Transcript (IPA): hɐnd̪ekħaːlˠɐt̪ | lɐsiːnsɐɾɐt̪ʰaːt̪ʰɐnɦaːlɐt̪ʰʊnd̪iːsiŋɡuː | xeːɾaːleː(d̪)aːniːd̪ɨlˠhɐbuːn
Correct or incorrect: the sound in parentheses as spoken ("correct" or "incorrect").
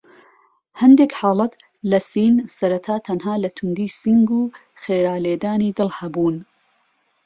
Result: correct